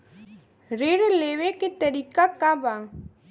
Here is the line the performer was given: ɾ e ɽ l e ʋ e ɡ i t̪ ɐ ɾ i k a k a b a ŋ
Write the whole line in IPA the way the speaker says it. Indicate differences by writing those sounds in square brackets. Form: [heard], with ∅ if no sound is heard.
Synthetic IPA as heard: ɾ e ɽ l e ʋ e [k] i t̪ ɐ ɾ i k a k a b a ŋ